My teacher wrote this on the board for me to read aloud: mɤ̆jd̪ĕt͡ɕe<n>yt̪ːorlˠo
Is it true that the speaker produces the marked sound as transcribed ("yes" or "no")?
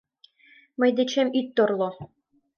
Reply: no